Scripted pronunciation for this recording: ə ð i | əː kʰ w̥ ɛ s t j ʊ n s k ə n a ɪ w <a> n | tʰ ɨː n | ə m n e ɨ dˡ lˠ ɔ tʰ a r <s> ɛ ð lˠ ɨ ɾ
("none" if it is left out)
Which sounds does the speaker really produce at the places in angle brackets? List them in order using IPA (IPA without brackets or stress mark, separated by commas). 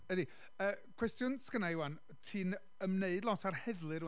a, h